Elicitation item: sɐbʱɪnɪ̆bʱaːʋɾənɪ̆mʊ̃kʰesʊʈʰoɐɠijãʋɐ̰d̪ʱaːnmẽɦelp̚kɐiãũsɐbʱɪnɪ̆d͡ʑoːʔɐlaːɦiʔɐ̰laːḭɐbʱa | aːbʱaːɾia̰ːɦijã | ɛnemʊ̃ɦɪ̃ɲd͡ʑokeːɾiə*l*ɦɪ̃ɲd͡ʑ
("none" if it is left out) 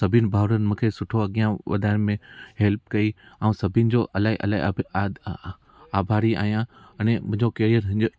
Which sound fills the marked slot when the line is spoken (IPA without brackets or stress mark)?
ɾ